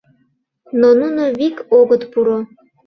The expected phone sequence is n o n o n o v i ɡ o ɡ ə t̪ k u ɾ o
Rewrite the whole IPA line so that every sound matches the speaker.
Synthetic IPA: n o n u n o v i k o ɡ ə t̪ p u ɾ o